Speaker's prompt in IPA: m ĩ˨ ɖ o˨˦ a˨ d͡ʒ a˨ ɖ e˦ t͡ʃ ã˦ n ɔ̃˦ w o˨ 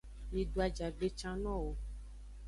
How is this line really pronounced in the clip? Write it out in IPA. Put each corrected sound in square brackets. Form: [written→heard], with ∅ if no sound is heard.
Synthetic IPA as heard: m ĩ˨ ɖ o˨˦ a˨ d͡ʒ a˨ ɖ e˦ t͡ʃ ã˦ n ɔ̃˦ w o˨